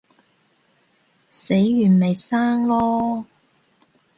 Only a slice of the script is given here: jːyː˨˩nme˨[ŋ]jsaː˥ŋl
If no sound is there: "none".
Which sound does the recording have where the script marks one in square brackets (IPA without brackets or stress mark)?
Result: none